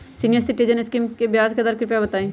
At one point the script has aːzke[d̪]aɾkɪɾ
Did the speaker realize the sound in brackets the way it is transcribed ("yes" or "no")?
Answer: yes